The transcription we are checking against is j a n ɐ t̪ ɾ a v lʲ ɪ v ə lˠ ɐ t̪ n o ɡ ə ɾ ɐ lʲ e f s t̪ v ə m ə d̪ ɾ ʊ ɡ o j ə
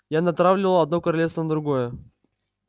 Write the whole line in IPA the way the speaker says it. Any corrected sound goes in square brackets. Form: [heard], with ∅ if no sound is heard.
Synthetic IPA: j a n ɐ t̪ ɾ a v lʲ ɪ v ə lˠ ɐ [d̪] n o [k] ə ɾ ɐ lʲ e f s t̪ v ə [n] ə d̪ ɾ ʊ ɡ o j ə